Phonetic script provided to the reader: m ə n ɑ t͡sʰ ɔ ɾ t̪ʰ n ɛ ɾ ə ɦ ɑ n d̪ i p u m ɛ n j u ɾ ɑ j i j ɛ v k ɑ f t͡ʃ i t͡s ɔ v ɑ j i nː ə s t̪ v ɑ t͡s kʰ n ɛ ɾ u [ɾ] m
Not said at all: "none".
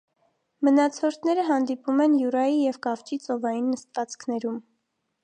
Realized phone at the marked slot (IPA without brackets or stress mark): none